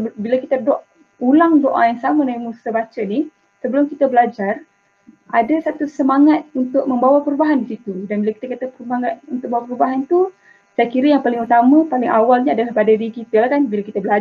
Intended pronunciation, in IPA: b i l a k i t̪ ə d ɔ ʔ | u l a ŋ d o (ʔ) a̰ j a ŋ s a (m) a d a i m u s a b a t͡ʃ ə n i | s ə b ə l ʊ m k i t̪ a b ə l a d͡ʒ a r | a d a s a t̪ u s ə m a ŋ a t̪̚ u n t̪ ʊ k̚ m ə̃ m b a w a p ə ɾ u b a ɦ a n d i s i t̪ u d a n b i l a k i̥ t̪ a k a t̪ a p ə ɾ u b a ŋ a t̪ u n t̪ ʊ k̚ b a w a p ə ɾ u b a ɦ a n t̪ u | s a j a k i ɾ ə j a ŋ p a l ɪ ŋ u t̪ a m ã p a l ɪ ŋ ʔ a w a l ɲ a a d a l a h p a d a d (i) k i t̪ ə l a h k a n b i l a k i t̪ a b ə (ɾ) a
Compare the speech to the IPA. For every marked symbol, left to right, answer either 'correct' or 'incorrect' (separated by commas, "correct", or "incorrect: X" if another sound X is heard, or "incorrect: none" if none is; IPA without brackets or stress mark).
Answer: correct, correct, correct, incorrect: l